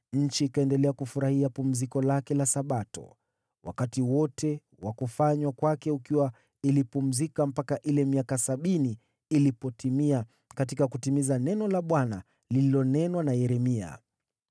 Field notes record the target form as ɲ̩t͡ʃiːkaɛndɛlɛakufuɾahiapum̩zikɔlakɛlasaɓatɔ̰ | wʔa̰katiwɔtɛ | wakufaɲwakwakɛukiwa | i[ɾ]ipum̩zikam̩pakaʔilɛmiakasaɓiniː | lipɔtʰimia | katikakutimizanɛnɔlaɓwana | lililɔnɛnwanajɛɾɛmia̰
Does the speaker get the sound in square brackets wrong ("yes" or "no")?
yes